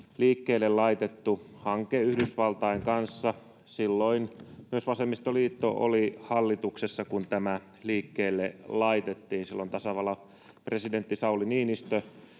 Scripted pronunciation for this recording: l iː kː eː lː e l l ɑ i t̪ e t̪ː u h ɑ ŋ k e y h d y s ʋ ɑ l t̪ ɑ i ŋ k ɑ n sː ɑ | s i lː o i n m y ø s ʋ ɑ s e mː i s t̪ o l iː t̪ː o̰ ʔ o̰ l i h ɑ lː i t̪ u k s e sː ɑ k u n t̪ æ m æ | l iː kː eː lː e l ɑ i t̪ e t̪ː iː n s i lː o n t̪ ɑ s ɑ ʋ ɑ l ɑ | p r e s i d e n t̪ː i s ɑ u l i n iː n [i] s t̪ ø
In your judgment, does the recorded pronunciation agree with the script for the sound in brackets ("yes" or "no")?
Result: yes